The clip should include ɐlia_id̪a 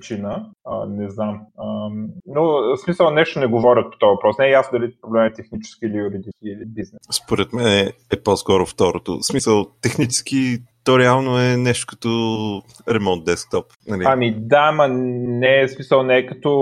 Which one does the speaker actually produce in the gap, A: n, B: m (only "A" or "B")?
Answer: B